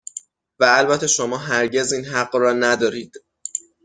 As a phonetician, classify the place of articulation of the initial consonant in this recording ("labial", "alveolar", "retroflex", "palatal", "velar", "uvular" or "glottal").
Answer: labial